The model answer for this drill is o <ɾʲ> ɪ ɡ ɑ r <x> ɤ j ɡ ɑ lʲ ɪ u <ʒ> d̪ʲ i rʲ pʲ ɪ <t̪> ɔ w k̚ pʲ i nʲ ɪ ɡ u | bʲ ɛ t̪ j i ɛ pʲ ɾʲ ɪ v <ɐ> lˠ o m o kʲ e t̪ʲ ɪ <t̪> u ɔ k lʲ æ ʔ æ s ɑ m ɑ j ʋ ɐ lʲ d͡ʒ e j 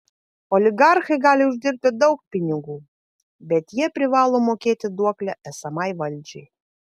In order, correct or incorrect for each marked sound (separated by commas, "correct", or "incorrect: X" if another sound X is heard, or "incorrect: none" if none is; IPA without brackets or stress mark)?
incorrect: lʲ, correct, correct, incorrect: d̪, incorrect: ɑ, incorrect: d̪